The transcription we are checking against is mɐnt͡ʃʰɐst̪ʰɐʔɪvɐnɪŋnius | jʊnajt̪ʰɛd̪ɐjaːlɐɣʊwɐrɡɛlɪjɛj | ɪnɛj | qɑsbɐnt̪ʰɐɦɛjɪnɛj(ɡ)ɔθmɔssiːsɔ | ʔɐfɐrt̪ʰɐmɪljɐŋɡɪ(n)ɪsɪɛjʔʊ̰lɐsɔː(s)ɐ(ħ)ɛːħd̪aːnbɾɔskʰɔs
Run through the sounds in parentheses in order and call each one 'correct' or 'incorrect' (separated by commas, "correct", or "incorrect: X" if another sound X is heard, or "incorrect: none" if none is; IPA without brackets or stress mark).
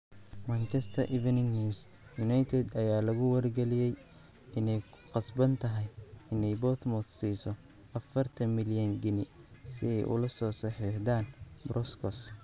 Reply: incorrect: b, correct, correct, correct